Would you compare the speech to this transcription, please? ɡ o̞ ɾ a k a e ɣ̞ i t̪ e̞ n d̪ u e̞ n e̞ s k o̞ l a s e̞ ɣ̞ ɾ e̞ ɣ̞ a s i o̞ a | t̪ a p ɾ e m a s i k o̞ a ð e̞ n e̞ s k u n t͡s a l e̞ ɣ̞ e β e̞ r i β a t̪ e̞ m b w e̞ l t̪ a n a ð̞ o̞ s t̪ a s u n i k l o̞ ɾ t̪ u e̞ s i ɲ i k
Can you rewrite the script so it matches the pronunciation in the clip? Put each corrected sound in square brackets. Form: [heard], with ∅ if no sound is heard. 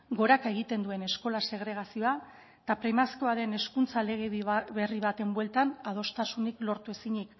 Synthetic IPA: ɡ o̞ ɾ a k a e ɣ̞ i t̪ e̞ n d̪ u e̞ n e̞ s k o̞ l a s e̞ ɣ̞ ɾ e̞ ɣ̞ a s i o̞ a | t̪ a p ɾ e m a s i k o̞ a ð e̞ n e̞ s k u n t͡s a l e̞ ɣ̞ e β e̞ r i β a t̪ e̞ m b w e̞ l t̪ a n a ð̞ o̞ s t̪ a s u n i k l o̞ ɾ t̪ u e̞ s i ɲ i k